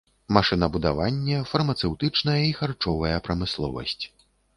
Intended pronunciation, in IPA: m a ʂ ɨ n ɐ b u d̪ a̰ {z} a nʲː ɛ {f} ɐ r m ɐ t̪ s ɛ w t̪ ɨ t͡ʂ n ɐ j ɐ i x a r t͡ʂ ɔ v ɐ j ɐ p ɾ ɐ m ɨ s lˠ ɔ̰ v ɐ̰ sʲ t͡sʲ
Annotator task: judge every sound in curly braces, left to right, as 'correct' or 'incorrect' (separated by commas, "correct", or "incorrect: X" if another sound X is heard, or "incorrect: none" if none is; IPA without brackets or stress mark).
incorrect: v, correct